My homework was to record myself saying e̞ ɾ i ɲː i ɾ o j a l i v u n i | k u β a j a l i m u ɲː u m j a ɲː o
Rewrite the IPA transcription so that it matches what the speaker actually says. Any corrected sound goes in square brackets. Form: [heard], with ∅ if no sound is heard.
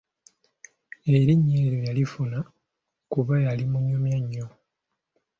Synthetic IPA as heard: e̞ ɾ i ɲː [e] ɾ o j a l i [f] u n [a] | k u β a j a l i m u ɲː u m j a ɲː o